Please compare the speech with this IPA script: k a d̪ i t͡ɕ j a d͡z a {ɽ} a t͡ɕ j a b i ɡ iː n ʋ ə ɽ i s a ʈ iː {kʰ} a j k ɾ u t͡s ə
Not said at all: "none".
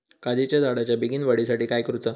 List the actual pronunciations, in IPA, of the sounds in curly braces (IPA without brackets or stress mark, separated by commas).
ɽ, k